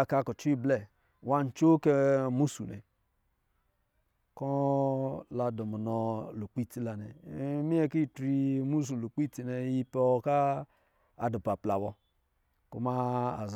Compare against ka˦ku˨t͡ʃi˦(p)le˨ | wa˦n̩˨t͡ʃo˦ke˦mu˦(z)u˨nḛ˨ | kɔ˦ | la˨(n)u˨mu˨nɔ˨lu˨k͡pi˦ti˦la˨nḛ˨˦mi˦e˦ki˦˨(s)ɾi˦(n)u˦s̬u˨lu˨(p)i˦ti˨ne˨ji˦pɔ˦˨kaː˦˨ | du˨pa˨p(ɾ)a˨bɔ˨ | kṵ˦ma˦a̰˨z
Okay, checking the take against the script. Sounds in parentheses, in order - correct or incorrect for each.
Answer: incorrect: b, incorrect: s, incorrect: d, incorrect: t, incorrect: m, incorrect: k͡p, incorrect: l

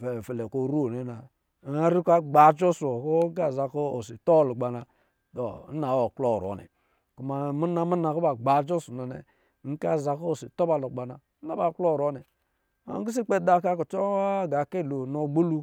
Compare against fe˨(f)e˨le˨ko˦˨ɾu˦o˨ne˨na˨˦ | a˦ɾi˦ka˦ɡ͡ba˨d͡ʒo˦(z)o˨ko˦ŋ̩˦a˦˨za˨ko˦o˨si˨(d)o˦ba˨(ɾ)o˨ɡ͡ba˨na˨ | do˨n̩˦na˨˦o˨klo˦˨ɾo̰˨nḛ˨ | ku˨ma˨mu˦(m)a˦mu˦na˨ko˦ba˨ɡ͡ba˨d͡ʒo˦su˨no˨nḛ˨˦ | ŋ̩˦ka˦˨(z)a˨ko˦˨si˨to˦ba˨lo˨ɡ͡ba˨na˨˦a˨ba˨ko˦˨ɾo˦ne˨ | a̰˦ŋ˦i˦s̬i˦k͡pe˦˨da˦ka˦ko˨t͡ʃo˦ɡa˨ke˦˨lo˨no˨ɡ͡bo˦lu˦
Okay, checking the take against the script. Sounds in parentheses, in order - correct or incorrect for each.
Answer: correct, incorrect: s, incorrect: t, incorrect: l, incorrect: n, correct

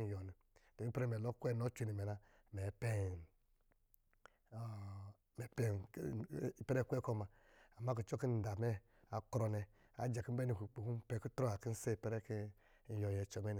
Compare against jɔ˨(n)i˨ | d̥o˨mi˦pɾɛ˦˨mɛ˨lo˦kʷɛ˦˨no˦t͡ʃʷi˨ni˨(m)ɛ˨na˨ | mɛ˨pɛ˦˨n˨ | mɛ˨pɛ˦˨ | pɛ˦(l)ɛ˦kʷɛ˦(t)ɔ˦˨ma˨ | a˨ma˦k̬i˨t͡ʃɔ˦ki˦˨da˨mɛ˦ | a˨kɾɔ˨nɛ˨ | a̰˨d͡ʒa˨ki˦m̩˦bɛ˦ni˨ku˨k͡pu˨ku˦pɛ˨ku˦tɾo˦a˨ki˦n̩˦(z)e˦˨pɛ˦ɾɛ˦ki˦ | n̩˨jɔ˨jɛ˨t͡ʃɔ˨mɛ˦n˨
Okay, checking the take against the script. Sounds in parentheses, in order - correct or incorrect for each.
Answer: correct, correct, incorrect: ɾ, incorrect: k, incorrect: s

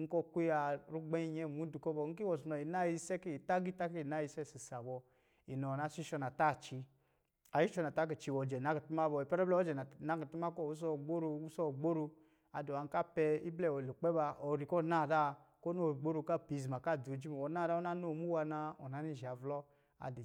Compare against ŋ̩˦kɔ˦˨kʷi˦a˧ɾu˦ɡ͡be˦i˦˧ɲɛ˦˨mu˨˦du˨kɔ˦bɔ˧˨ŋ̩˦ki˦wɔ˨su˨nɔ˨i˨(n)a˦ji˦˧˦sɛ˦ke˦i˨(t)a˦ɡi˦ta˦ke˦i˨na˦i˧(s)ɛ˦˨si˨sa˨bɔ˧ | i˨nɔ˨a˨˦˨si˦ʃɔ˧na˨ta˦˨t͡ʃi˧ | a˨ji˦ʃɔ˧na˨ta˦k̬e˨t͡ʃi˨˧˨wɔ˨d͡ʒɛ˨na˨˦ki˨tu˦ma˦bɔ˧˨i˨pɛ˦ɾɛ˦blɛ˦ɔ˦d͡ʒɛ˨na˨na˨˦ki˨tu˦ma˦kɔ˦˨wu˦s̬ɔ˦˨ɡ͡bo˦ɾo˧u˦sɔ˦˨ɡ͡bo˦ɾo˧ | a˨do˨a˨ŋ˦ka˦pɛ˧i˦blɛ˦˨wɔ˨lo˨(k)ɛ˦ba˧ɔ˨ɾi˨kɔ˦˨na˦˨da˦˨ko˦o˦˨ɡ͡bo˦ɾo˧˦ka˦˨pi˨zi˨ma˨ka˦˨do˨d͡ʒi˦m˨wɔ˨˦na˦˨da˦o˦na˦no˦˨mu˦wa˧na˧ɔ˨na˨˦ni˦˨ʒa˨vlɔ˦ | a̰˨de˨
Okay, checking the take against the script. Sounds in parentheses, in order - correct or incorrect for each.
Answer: correct, correct, correct, incorrect: k͡p

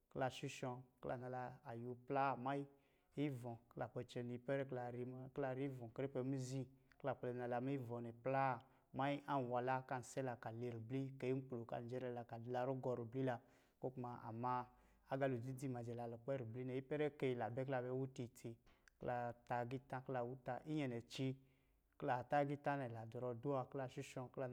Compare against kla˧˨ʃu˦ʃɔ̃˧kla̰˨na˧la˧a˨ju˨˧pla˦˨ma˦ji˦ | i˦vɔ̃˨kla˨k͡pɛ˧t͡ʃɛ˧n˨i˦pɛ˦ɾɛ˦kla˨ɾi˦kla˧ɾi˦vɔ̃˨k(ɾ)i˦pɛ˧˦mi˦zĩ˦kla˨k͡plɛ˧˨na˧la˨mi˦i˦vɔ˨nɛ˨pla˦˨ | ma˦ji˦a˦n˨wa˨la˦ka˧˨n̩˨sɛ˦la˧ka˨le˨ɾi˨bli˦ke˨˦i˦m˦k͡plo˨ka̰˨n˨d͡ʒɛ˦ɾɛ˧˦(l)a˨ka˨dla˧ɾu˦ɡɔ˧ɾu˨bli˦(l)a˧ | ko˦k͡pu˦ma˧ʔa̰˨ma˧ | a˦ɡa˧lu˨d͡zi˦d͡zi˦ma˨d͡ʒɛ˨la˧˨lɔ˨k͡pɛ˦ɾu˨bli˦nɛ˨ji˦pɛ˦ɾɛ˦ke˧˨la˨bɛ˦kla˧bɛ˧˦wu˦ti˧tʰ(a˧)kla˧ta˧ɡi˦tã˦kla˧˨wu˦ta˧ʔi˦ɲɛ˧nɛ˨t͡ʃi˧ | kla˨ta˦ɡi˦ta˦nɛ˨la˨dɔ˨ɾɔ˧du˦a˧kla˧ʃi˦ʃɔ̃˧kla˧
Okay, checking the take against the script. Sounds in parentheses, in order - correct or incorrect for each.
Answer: correct, correct, correct, incorrect: i˧

